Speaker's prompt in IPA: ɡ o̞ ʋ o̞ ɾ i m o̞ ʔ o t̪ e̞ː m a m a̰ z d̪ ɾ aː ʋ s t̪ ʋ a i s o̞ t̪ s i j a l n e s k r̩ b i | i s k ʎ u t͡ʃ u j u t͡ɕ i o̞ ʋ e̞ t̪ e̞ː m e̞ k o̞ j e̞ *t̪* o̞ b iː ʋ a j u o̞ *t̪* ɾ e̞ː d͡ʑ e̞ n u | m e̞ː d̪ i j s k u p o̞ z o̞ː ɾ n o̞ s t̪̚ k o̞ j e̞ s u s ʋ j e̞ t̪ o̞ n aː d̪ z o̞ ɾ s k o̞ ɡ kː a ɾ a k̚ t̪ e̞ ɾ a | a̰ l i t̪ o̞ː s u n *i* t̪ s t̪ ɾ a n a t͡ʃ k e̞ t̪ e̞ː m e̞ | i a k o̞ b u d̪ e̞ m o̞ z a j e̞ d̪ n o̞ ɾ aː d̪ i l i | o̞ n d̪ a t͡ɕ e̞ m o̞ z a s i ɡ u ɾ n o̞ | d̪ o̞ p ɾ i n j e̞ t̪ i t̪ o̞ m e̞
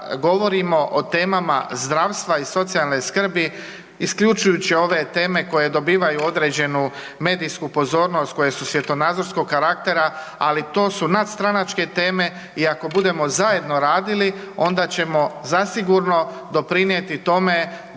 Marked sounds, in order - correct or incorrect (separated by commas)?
incorrect, incorrect, incorrect